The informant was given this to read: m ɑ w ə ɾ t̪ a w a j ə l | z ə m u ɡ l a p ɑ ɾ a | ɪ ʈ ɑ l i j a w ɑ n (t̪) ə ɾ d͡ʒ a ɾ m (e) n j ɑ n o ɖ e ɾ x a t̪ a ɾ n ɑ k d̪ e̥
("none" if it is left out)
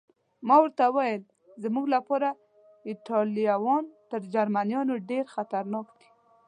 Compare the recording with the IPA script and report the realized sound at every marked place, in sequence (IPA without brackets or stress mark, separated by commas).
t̪, a